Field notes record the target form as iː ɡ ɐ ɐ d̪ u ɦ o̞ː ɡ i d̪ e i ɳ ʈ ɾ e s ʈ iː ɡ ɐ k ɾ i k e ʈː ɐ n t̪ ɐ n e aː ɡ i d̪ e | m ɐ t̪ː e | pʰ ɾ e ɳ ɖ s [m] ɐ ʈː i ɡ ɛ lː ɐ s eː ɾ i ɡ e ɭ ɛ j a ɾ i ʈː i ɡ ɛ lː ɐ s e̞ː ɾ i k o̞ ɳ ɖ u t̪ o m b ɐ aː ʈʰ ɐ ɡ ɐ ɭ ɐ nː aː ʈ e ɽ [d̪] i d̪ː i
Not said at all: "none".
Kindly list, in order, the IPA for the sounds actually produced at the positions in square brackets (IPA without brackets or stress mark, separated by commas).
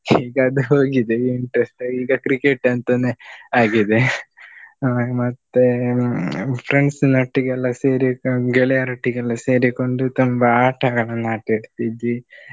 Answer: n, t̪